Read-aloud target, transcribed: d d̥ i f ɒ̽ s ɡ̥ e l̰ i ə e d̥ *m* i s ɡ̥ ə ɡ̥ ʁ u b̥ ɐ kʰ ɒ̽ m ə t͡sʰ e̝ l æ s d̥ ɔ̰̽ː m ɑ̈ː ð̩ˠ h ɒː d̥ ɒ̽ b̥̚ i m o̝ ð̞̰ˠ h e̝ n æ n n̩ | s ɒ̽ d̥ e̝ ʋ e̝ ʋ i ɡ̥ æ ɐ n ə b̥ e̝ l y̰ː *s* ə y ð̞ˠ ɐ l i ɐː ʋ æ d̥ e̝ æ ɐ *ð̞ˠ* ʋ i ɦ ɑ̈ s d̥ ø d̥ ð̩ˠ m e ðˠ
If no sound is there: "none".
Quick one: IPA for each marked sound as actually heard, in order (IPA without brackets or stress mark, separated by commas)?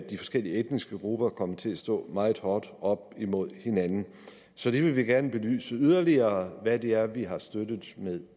n, s, none